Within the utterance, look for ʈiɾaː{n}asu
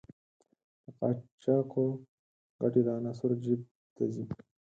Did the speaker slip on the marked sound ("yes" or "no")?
no